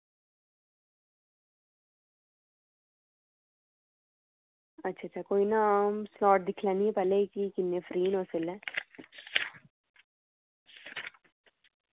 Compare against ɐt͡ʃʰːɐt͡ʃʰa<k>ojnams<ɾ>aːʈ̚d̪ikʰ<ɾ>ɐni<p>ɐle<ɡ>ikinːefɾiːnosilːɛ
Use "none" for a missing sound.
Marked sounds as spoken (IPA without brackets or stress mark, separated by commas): k, l, l, p, k